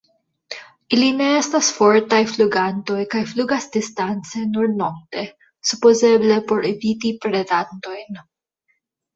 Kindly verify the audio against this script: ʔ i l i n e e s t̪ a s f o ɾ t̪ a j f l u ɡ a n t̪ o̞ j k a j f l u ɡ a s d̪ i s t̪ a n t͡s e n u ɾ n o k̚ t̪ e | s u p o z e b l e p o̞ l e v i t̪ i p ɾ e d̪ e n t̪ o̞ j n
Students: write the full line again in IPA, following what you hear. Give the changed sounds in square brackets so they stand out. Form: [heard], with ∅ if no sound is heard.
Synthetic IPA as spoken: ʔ i l i n e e s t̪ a s f o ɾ t̪ a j f l u ɡ a n t̪ o̞ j k a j f l u ɡ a s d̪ i s t̪ a n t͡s e n u ɾ n o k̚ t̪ e | s u p o z e b l e p o̞ [ɾ] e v i t̪ i p ɾ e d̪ [a] n t̪ o̞ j n